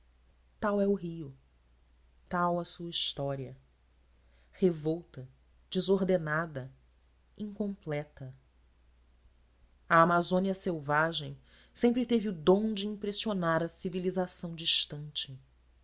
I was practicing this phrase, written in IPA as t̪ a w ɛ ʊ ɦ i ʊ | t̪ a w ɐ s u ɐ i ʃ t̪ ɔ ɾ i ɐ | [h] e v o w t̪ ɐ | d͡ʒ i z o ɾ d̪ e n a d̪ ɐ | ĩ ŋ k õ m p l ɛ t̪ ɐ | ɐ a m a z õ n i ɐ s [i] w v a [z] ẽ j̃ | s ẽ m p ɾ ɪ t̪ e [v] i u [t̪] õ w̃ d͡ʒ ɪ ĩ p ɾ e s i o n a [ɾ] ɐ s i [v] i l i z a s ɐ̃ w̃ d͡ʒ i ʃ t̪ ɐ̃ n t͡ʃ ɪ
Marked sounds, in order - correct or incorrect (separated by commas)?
correct, incorrect, incorrect, correct, incorrect, correct, correct